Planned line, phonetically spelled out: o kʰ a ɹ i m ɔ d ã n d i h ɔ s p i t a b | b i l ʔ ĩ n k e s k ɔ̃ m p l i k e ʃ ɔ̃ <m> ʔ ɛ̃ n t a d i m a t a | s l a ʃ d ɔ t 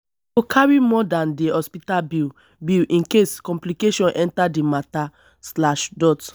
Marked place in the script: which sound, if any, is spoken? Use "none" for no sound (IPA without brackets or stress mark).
n